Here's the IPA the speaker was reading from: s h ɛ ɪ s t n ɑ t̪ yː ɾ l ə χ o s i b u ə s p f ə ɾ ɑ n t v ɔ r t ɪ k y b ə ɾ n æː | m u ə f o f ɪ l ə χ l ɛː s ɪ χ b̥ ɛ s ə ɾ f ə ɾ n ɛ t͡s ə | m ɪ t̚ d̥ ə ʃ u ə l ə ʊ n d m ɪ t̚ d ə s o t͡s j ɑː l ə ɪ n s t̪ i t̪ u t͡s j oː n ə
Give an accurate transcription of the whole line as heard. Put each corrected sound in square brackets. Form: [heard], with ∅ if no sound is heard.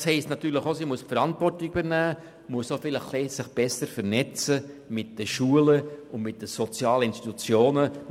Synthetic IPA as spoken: s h ɛ ɪ s t n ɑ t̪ yː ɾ l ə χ o s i [m] u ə s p f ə ɾ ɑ n t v ɔ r t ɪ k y b ə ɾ n æː | m u ə [s] o f ɪ l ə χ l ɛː s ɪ χ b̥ ɛ s ə ɾ f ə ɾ n ɛ t͡s ə | m ɪ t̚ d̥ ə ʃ u ə l ə ʊ n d m ɪ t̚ d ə s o t͡s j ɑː l ə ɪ n s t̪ i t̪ u t͡s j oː n ə